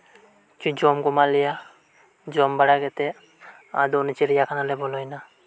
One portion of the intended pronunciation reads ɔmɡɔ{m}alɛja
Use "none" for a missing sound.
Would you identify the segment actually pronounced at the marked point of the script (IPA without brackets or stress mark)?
m